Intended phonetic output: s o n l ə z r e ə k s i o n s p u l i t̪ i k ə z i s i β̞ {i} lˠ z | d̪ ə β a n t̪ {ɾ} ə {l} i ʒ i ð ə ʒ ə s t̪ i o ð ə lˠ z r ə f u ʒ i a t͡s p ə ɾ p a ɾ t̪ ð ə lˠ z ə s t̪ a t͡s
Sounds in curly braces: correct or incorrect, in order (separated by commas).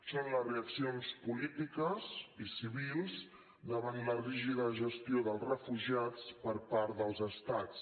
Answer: correct, incorrect, incorrect